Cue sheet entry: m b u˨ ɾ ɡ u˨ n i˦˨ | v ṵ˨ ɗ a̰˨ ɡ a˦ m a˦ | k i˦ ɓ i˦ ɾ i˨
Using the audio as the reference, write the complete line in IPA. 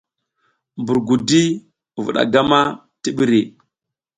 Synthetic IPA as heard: m b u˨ ɾ ɡ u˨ d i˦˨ | v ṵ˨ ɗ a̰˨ ɡ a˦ m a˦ | t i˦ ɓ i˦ ɾ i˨